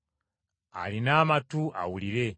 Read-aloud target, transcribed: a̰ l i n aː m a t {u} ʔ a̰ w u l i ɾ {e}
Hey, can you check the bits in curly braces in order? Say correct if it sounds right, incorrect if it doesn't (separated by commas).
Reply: correct, correct